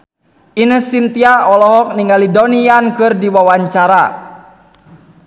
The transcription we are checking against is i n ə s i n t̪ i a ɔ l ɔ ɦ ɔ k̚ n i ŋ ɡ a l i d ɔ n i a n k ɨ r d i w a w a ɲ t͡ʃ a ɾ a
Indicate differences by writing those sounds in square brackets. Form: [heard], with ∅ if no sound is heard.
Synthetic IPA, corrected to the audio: i n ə s i n t̪ i a ɔ l ɔ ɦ ɔ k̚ n i ŋ ɡ a l i d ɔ n i a n k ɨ r d i w a w a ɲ t͡ʃ a ɾ a